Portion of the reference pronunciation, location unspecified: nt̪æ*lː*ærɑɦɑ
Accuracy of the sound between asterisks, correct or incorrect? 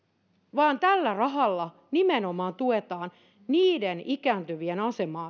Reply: correct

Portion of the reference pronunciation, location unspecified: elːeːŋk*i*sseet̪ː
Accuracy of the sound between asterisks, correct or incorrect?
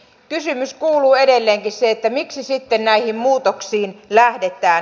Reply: correct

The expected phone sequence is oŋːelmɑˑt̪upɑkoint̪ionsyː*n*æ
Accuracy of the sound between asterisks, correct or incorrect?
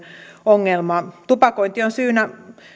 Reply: correct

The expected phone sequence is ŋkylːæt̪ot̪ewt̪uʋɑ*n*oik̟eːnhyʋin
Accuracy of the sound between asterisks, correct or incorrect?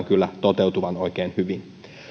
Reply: correct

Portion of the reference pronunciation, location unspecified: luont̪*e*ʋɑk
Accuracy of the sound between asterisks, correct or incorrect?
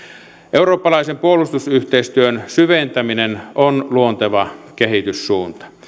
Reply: correct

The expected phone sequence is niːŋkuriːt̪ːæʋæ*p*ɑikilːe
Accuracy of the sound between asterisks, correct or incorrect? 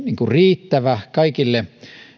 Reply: incorrect: k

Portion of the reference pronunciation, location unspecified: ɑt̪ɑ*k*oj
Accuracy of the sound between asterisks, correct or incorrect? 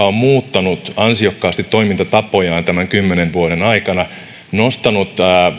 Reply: incorrect: p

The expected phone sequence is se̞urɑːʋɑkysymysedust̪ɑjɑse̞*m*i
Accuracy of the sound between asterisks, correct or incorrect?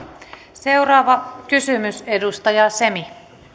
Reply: correct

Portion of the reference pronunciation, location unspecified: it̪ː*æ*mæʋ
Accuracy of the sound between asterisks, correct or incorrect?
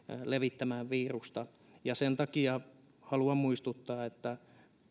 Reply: correct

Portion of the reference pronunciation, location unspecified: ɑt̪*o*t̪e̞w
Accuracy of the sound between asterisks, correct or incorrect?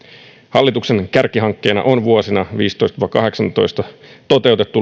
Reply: correct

